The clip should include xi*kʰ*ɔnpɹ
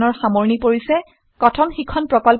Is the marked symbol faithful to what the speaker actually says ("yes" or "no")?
yes